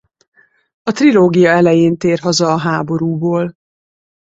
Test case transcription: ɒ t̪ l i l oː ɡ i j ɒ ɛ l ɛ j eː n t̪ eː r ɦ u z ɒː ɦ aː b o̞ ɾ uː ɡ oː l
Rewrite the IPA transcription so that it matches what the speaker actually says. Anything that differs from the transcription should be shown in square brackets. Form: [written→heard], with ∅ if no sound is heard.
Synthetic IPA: ɒ t̪ [l→r] i l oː ɡ i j ɒ ɛ l ɛ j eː n t̪ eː r ɦ [u→ɒ] z ɒː ɦ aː b o̞ ɾ uː [ɡ→b] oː l